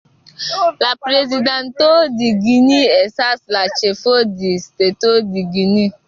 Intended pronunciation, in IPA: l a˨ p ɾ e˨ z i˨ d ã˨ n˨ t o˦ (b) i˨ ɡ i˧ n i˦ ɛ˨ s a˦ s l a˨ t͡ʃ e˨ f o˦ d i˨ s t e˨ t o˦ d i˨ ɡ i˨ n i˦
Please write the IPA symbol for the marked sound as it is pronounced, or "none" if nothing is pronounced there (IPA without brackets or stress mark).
d